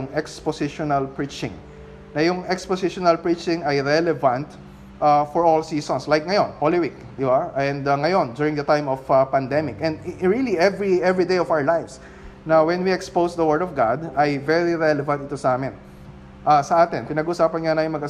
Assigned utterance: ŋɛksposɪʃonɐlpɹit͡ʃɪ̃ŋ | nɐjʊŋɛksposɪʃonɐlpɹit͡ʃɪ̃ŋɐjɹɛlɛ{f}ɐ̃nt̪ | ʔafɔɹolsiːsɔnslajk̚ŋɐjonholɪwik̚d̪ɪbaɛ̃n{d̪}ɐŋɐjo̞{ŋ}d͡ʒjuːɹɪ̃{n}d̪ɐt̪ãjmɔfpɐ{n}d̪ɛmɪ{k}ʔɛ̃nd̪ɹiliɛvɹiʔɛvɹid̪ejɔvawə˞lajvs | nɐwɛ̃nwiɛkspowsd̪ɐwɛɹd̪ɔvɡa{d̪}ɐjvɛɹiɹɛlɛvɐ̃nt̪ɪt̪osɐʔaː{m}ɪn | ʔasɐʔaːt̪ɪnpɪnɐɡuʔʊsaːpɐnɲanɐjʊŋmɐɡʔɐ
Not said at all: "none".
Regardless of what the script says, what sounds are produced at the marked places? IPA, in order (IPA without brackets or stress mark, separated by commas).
v, d̪, n, ŋ, n, k, d̪, m